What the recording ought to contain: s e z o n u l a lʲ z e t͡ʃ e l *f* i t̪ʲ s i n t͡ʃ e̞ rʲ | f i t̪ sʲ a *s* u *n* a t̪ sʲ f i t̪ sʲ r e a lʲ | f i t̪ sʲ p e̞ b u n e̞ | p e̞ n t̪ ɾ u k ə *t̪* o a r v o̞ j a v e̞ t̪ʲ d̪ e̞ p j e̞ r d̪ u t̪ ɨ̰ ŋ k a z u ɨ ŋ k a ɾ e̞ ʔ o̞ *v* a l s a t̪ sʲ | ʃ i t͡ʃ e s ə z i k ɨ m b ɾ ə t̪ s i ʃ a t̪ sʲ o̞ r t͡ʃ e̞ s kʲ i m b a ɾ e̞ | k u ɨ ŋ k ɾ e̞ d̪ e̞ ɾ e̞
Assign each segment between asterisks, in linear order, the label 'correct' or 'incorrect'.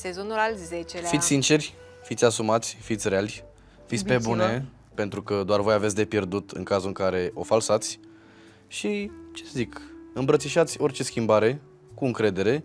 correct, correct, incorrect, incorrect, incorrect

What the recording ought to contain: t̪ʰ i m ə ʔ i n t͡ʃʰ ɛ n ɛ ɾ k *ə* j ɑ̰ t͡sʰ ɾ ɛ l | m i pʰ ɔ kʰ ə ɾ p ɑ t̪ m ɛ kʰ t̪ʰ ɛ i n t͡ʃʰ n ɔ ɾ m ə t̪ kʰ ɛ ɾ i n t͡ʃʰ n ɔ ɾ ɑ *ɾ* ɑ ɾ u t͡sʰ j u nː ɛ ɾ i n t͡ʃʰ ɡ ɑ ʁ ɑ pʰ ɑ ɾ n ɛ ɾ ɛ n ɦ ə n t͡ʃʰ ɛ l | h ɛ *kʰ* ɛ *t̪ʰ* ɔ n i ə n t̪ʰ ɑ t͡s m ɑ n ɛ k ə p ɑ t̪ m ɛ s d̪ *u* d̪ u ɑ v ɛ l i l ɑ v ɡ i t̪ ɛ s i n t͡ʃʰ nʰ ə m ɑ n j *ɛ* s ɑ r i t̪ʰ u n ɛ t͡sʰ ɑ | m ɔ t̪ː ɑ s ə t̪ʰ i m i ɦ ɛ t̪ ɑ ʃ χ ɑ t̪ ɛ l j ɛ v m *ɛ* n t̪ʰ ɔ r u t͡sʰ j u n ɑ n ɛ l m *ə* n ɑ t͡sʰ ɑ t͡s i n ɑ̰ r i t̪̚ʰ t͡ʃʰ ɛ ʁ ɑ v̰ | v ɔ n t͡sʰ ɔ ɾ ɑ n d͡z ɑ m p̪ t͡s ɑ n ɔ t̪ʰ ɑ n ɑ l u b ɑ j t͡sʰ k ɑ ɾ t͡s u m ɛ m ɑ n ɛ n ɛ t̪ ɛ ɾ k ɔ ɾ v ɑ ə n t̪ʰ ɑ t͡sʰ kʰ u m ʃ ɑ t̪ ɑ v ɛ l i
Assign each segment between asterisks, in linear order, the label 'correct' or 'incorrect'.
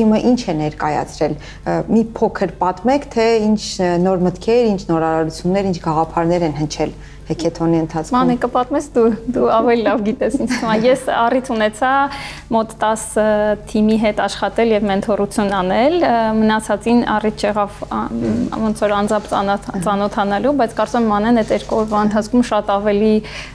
incorrect, correct, correct, correct, correct, correct, correct, correct

